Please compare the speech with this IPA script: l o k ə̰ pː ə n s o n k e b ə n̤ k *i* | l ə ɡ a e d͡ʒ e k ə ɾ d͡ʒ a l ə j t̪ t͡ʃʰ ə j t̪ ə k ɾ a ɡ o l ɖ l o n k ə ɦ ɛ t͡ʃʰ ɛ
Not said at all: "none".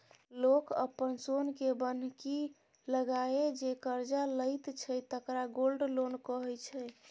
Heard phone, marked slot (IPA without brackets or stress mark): i